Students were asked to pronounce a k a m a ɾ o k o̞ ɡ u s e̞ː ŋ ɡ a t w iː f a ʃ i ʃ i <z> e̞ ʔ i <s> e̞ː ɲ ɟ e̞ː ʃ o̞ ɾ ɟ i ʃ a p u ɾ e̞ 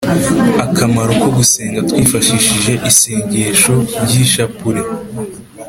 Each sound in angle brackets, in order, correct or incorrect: incorrect: ʒ, correct

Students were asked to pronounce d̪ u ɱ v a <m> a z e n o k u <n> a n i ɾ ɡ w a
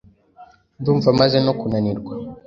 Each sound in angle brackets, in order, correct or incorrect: correct, correct

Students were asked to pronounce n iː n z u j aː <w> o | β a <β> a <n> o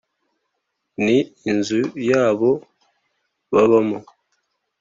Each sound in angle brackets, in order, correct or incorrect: incorrect: β, correct, incorrect: m

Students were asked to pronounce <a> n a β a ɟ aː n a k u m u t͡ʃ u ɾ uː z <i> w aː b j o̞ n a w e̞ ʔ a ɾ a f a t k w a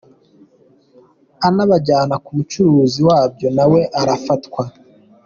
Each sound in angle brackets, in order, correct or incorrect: correct, correct

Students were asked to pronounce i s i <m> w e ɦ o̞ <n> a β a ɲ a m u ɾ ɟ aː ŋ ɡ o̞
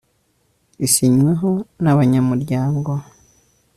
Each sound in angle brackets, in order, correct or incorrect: incorrect: ɲ, correct

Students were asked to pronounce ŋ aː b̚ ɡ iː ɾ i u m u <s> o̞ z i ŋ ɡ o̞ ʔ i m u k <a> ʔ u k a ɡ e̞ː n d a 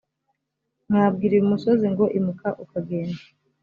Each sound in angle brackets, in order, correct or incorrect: correct, correct

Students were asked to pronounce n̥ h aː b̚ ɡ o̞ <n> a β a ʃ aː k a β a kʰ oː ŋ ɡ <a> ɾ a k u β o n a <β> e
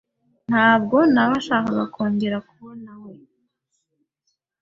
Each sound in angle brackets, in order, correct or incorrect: correct, incorrect: e, incorrect: w

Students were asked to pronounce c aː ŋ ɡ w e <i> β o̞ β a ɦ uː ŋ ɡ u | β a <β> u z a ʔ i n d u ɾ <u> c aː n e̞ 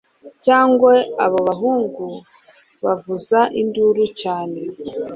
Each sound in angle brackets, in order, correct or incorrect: incorrect: a, incorrect: v, correct

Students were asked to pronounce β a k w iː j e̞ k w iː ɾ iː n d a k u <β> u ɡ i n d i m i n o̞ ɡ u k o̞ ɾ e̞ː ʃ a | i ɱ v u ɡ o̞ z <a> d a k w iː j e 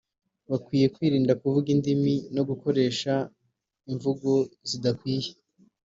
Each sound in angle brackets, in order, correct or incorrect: incorrect: v, incorrect: i

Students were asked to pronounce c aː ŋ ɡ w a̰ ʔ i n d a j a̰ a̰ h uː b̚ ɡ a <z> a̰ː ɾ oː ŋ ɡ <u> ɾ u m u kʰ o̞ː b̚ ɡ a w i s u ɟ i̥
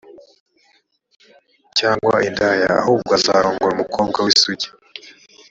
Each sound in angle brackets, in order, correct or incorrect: correct, incorrect: o

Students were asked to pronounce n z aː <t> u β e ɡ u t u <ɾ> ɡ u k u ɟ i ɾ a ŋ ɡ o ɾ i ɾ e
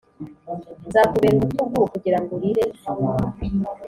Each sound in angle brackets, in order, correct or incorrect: incorrect: k, incorrect: none

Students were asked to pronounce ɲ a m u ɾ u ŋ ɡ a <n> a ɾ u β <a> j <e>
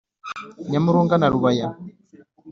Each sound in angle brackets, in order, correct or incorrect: correct, correct, incorrect: a

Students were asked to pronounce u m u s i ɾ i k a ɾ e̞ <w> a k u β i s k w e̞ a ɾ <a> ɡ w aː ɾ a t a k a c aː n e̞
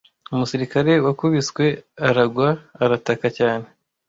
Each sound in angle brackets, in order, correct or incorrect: correct, correct

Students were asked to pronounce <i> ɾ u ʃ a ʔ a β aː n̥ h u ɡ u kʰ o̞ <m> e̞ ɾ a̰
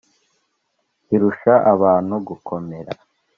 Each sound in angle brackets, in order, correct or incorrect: correct, correct

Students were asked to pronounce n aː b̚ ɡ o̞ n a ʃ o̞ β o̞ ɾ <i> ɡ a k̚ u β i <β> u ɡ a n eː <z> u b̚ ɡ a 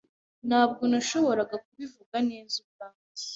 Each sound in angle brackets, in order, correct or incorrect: incorrect: a, incorrect: v, correct

